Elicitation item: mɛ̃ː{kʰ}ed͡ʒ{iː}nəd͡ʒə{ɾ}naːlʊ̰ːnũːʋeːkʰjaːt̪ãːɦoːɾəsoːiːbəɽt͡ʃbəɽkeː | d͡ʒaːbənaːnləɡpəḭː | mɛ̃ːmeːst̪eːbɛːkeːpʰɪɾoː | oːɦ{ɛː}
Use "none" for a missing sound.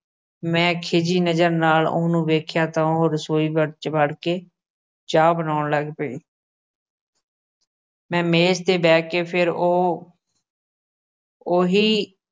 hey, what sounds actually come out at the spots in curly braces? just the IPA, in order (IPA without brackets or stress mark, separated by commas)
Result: kʰ, iː, ɾ, iː